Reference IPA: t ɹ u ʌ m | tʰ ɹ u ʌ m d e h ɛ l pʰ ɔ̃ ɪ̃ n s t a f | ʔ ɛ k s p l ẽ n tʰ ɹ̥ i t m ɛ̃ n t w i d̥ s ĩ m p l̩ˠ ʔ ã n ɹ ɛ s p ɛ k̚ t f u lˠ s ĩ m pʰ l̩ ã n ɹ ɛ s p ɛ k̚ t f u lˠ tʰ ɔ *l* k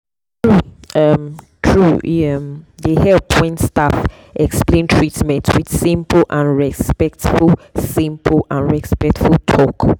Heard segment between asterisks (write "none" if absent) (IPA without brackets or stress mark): none